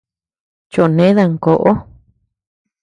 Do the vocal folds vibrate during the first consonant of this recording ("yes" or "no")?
no